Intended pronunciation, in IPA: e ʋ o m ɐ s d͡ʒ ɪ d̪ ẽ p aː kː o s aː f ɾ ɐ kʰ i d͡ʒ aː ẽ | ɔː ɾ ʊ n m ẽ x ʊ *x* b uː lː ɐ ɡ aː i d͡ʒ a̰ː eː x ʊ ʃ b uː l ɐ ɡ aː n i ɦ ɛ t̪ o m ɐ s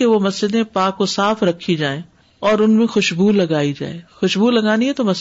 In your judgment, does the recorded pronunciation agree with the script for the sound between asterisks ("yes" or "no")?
no